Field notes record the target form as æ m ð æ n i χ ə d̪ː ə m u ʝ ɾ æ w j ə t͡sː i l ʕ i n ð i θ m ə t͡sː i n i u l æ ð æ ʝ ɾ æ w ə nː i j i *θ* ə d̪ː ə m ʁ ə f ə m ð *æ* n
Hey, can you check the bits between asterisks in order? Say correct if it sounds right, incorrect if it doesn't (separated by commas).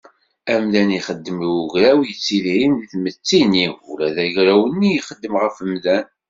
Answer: incorrect, correct